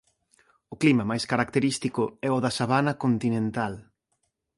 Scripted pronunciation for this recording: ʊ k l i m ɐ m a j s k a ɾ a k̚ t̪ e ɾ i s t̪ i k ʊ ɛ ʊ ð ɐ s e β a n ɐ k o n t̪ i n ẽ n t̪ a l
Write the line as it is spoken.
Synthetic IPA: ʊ k l i m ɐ m a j s k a ɾ a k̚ t̪ e ɾ i s t̪ i k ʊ ɛ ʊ ð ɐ s a β a n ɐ k o n t̪ i n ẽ n t̪ a l

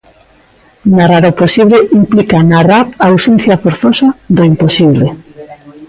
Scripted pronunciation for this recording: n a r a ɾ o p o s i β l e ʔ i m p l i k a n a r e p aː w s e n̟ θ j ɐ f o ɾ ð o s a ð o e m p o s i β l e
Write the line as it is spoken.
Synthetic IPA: n a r a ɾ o p o s i β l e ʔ i m p l i k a n a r a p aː w s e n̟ θ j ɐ f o ɾ θ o s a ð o i m p o s i β l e

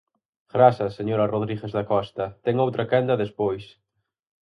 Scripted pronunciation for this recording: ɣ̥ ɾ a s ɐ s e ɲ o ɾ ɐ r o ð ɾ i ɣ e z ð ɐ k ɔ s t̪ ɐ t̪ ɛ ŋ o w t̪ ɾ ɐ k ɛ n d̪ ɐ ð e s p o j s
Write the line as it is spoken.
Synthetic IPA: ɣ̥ ɾ a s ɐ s e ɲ o ɾ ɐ r o ð ɾ i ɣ e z ð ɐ k ɔ s t̪ ɐ t̪ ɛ ŋ o w t̪ ɾ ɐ k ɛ n d̪ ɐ ð e s p o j s

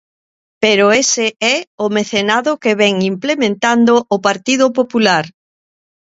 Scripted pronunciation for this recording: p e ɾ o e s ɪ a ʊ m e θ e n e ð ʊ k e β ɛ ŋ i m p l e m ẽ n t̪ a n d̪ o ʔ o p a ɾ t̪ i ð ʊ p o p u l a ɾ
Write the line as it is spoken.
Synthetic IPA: p e ɾ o e s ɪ ɛ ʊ m e θ e n a ð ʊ k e β ɛ ŋ i m p l e m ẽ n t̪ a n d̪ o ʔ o p a ɾ t̪ i ð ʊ p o p u l a ɾ

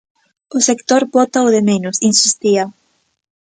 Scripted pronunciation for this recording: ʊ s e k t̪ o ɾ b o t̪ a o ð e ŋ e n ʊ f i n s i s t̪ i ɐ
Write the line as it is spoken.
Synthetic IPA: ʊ s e k t̪ o ɾ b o t̪ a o ð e m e n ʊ s i n s i s t̪ i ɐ

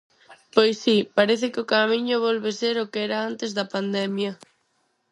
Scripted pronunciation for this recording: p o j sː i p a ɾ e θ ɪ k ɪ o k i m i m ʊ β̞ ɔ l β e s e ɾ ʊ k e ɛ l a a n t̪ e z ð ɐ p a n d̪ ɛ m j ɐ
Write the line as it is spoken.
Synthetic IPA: p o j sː i p a ɾ e θ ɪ k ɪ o k a m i ɲ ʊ β̞ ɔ l β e s e ɾ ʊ k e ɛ ɾ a a n t̪ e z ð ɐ p a n d̪ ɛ m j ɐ

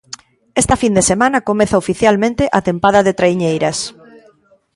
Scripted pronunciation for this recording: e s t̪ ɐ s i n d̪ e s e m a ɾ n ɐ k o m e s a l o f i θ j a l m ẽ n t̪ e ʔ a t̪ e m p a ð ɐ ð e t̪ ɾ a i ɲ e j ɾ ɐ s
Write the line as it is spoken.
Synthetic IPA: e s t̪ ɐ f i n d̪ e s e m a n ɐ k o m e θ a o f i θ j a l m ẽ n t̪ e ʔ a t̪ e m p a ð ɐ ð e t̪ ɾ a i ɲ e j ɾ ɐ s

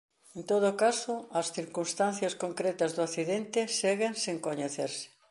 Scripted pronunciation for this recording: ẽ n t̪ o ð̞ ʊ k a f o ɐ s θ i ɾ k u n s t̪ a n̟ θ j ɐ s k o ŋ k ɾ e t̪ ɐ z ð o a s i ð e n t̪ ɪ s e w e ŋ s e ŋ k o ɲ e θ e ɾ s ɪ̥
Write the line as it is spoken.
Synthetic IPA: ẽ n t̪ o ð̞ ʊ k a s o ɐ s θ i ɾ k u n s t̪ a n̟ θ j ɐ s k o ŋ k ɾ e t̪ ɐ z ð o a θ i ð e n t̪ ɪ s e ɣ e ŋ s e ŋ k o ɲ e θ e ɾ s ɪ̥

